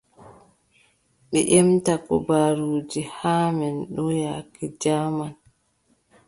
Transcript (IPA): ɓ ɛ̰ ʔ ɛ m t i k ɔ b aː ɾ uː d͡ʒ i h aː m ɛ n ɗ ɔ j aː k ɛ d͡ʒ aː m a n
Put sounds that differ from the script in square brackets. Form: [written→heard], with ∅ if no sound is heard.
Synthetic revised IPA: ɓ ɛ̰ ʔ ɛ m t [i→a] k ɔ b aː ɾ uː d͡ʒ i h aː m ɛ n ɗ ɔ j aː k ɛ d͡ʒ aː m a n